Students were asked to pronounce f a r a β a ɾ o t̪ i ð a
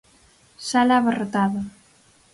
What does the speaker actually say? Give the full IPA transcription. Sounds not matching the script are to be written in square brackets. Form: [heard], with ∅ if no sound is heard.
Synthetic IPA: [s] a [l] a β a [r] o t̪ [a] ð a

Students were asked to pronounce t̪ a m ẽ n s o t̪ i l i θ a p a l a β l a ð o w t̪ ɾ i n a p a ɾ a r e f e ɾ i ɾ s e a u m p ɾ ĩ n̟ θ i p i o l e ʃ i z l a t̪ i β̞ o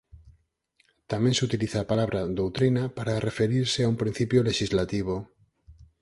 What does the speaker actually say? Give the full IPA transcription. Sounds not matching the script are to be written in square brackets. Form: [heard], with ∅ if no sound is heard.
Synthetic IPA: t̪ a m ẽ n s [u] t̪ i l i θ a p a l a β [ɾ] a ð o w t̪ ɾ i n a p a ɾ a r e f e ɾ i ɾ s e a u m p ɾ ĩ n̟ θ i p [j] o l e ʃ i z l a t̪ i β̞ o

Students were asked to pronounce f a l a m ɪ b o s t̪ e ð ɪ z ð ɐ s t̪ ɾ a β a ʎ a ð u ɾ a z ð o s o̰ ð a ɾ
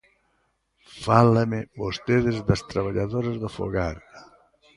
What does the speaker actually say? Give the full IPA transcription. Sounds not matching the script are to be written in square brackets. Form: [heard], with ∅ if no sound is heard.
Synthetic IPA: f a l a m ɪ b o s t̪ e ð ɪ z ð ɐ s t̪ ɾ a β a ʎ a ð [o] ɾ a z ð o [f] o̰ [ɣ] a ɾ

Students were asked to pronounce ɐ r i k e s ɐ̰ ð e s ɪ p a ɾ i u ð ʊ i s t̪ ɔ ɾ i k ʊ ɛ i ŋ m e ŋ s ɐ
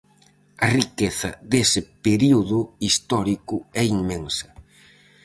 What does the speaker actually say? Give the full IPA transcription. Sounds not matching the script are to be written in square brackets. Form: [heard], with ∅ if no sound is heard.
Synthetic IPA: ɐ r i k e [θ] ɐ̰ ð e s ɪ p [e] ɾ i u ð ʊ i s t̪ ɔ ɾ i k ʊ ɛ i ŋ m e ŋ s ɐ

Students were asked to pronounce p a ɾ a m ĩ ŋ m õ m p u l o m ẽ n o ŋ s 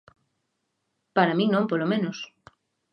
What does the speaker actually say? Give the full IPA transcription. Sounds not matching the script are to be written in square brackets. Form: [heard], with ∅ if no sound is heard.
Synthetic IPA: p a ɾ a m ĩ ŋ [n] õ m p [o] l o m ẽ n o [∅] s

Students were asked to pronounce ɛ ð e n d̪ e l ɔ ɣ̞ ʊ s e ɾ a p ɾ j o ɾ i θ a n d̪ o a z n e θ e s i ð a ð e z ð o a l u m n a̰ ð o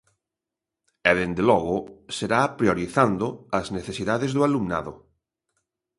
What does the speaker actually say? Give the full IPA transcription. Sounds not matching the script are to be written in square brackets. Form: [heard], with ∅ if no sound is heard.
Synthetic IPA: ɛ ð e n d̪ e l ɔ ɣ̞ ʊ s e ɾ a p ɾ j o ɾ i θ a n d̪ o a z n e θ e s i ð a ð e z ð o a l u m n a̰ ð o

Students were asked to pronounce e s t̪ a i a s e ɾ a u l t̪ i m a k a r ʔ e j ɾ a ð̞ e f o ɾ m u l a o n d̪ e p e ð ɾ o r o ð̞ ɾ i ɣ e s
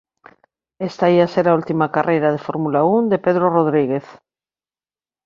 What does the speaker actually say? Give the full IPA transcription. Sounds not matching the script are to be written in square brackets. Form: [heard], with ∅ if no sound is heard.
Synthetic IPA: e s t̪ a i a s e ɾ a u l t̪ i m a k a r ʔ e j ɾ a ð̞ e f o ɾ m u l a [u] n d̪ e p e ð ɾ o r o ð̞ ɾ i ɣ e [θ]

